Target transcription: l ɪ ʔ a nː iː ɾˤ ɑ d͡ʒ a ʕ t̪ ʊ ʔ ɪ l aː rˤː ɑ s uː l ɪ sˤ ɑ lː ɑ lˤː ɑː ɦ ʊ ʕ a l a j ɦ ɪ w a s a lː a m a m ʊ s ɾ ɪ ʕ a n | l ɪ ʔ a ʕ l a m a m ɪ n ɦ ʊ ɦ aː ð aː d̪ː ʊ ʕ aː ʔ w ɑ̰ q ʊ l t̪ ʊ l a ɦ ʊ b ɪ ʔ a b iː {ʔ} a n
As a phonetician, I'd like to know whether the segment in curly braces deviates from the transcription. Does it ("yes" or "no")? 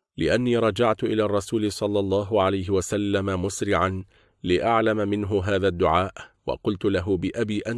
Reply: no